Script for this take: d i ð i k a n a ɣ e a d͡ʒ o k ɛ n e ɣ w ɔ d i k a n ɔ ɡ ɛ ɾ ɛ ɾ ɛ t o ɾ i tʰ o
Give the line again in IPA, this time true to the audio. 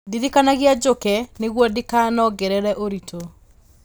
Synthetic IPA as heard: d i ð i k a n a ɣ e a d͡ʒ o k ɛ n e ɣ w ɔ d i k a n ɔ ɡ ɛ ɾ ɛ ɾ ɛ ʔ o ɾ i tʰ o